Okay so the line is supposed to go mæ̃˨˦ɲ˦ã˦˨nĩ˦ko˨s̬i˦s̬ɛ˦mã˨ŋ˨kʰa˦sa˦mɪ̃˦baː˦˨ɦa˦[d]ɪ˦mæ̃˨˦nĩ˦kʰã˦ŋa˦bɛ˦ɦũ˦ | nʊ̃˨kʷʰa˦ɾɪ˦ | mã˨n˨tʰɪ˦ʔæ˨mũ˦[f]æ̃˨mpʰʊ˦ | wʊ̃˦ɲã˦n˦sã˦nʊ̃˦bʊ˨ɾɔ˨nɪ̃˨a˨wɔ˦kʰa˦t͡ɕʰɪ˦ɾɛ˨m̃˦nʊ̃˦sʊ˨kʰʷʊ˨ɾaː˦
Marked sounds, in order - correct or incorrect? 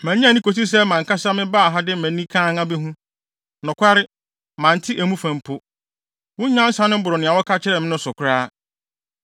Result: correct, correct

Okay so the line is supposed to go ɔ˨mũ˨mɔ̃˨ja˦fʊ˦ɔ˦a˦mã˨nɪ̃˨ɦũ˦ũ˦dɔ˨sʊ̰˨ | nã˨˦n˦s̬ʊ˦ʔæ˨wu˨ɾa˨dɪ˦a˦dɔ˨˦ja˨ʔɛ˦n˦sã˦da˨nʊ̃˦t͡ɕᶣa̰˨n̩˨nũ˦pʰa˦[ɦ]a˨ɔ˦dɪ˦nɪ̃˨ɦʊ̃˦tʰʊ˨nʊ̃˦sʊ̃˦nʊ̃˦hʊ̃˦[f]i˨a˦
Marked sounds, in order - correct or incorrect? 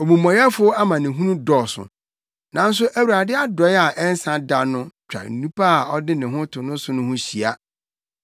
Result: incorrect: none, incorrect: ɕ

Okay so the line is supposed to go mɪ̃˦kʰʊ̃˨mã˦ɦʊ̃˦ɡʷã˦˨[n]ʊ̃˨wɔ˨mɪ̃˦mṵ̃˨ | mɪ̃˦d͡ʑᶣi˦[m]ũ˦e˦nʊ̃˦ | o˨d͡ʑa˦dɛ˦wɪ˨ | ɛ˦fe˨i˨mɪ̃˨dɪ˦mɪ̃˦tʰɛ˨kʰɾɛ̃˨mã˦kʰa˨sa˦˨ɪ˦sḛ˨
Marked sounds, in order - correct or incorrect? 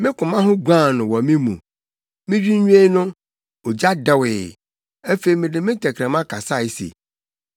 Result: correct, incorrect: ɲ

